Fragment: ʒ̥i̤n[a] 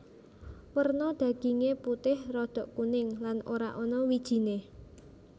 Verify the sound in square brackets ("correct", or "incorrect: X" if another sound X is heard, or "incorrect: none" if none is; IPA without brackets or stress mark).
incorrect: e